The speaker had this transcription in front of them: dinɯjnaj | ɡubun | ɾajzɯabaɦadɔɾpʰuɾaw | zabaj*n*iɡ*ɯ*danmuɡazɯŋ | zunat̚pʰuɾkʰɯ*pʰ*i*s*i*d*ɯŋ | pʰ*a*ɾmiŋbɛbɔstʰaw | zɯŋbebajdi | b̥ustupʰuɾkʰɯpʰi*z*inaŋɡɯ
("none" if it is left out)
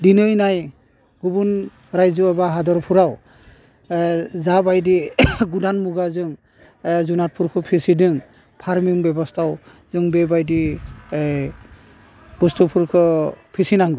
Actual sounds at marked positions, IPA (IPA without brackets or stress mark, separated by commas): d, u, pʰ, s, d, a, s